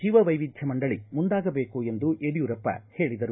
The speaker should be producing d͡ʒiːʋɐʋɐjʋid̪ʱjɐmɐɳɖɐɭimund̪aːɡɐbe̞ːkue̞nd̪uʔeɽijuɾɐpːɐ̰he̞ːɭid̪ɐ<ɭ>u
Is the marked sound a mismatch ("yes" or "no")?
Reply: yes